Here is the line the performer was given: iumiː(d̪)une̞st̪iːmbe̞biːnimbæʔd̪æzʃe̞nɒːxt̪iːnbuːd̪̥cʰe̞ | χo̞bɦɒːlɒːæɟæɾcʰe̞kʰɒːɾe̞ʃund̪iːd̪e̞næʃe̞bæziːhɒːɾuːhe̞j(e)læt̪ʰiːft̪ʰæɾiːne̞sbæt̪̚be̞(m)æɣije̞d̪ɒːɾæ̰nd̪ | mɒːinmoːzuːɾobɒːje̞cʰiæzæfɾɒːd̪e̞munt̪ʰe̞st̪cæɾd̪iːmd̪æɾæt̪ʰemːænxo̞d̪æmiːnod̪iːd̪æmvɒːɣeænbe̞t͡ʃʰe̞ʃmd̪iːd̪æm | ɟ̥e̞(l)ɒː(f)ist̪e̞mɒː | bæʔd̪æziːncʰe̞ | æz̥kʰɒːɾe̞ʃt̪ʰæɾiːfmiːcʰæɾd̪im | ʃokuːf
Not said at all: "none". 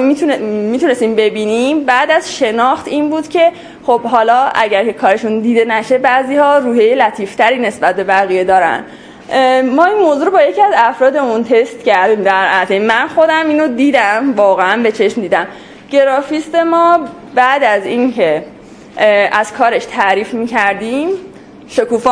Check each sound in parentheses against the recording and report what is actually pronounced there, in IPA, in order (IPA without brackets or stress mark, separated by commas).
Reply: t̪, e, b, ɾ, f